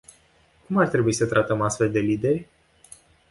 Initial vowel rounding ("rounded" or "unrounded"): rounded